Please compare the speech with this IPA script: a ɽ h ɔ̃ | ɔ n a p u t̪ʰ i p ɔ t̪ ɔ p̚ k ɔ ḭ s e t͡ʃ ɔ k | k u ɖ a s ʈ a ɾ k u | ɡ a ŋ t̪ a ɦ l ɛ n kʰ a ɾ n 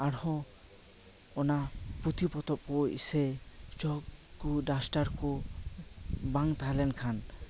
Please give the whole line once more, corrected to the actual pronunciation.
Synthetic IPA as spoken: a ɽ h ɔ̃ | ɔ n a p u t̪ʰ i p ɔ t̪ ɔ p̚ k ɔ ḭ s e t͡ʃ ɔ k | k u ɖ a s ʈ a ɾ k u | b a ŋ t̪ a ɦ l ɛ n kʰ a n